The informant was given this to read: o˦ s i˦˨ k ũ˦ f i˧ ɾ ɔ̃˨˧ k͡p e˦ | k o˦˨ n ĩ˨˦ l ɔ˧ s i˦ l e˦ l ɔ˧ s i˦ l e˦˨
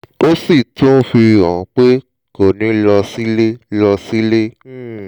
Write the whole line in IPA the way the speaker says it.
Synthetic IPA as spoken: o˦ s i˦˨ t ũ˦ f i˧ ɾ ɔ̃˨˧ k͡p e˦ | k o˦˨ n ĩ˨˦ l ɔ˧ s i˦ l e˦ l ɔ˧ s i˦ l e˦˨